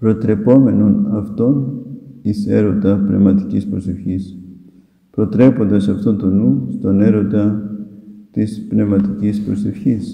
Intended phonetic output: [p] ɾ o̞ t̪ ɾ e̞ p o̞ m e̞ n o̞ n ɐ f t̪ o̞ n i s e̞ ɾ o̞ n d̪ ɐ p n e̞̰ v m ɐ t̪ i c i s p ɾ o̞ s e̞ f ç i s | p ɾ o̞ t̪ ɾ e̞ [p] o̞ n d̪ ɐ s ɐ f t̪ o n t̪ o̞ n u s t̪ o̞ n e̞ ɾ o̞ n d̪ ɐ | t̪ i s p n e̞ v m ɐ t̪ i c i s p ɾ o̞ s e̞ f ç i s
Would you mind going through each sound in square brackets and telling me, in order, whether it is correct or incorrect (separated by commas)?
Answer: correct, correct